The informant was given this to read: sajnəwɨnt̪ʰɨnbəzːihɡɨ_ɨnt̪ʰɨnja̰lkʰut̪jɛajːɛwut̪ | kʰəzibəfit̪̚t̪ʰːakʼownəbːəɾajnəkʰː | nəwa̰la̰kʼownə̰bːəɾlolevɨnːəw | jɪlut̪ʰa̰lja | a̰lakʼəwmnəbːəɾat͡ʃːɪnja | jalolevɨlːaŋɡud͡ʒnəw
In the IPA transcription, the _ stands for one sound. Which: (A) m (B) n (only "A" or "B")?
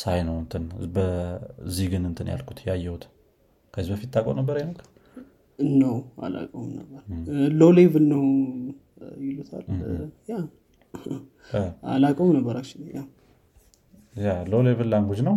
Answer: B